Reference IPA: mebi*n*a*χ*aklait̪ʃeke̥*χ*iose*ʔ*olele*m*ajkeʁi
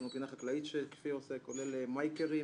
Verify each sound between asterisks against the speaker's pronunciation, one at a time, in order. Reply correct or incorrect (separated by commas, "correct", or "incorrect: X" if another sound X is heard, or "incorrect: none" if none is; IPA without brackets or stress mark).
correct, correct, incorrect: f, incorrect: k, correct